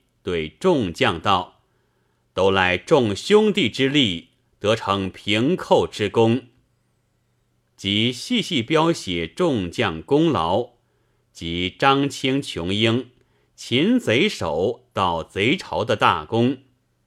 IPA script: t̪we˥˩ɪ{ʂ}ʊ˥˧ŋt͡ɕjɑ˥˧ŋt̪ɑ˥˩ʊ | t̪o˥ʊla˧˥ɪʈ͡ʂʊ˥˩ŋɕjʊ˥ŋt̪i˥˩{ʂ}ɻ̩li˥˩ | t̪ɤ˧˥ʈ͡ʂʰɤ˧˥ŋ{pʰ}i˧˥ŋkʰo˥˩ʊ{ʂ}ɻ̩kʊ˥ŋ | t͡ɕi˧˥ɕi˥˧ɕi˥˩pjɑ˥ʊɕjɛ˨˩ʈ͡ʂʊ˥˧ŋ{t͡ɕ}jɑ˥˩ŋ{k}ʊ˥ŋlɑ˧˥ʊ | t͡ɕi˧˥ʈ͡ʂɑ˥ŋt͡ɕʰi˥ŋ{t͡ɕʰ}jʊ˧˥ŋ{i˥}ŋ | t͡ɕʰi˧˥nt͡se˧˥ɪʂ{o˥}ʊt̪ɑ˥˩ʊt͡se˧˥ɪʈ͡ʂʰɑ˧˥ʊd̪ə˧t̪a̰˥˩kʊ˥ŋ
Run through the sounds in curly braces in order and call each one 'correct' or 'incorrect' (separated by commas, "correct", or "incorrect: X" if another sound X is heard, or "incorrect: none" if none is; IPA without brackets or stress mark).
incorrect: ʈ͡ʂ, incorrect: ʈ͡ʂ, correct, incorrect: ʈ͡ʂ, correct, correct, correct, correct, incorrect: o˨˩˦